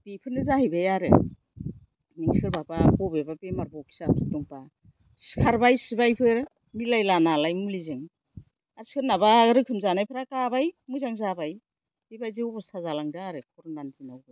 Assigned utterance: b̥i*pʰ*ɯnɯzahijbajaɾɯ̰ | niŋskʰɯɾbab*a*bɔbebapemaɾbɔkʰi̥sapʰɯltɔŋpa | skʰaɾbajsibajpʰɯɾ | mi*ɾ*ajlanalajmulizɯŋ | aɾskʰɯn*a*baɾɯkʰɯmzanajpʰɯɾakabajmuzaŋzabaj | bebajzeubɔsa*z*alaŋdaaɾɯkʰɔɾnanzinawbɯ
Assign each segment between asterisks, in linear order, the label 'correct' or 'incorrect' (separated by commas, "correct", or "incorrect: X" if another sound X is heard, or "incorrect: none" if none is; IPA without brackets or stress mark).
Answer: correct, correct, incorrect: l, correct, correct